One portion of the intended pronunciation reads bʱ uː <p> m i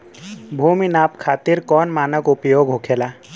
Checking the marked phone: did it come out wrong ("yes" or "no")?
yes